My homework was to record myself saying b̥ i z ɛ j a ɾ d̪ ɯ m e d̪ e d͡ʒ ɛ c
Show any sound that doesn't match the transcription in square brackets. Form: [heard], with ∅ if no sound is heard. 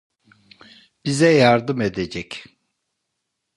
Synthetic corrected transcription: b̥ i z ɛ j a ɾ d̪ ɯ m e d̪ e d͡ʒ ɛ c